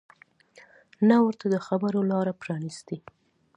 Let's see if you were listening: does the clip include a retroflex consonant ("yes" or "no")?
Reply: no